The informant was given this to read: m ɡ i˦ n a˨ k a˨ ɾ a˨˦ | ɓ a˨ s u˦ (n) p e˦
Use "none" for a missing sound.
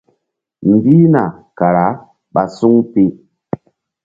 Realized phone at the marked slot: ŋ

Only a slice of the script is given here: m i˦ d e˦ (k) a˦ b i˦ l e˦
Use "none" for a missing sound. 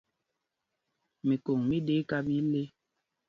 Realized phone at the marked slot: k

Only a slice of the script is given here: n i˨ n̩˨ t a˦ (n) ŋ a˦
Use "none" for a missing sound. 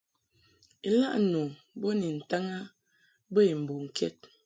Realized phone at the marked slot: none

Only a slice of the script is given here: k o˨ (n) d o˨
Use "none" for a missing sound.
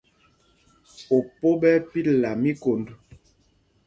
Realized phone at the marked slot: n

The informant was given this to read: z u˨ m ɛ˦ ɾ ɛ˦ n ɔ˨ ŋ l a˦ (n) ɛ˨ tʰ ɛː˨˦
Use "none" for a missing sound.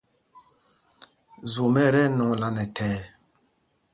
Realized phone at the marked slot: n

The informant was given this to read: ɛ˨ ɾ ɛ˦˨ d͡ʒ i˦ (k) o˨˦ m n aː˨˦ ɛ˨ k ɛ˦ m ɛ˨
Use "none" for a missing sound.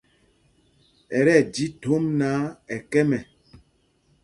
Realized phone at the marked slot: t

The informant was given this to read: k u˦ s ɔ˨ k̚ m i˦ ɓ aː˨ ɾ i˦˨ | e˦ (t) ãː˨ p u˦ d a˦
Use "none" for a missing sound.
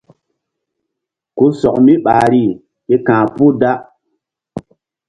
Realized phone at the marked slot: k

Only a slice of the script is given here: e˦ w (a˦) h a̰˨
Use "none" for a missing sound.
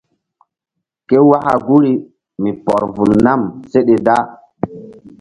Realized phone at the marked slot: a˦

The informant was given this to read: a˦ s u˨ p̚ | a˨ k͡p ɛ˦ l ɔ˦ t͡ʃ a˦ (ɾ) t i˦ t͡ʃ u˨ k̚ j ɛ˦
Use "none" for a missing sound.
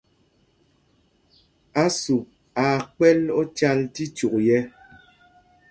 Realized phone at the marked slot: l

